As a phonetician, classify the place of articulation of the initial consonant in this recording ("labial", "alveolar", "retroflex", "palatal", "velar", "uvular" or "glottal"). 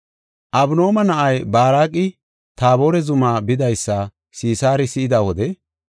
glottal